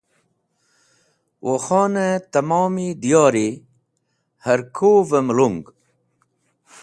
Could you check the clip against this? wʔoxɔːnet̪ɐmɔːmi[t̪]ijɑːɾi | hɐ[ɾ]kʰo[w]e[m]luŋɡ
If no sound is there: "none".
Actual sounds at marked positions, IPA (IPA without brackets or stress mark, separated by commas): d̪, ɾ, v, m